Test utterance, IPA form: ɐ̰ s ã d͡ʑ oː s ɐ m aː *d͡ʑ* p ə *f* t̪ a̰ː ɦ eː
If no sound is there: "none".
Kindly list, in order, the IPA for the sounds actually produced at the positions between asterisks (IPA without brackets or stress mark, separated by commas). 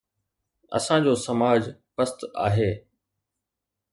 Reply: d͡ʑ, s